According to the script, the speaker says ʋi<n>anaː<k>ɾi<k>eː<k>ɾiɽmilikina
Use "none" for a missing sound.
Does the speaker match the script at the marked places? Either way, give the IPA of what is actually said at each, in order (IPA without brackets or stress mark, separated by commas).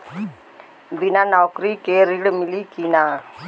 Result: n, k, k, none